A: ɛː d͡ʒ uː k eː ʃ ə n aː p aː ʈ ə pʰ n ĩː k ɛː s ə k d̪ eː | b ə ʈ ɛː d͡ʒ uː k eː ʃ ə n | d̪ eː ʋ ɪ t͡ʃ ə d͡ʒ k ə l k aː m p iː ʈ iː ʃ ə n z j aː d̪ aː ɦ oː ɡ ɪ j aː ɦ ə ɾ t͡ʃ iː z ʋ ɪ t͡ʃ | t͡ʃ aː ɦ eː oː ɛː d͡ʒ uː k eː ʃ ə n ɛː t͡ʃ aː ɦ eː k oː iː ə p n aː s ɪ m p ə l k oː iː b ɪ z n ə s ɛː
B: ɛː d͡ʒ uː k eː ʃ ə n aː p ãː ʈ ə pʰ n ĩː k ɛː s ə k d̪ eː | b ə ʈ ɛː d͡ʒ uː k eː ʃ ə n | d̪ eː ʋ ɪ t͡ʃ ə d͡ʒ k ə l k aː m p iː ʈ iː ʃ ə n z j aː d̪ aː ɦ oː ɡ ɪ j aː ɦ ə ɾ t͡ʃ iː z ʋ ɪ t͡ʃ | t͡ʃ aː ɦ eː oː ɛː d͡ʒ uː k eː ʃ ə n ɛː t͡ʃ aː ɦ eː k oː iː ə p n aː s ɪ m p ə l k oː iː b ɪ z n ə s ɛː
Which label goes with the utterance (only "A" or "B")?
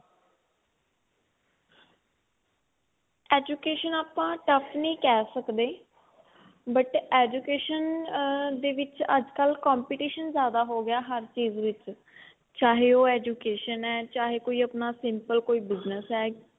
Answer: B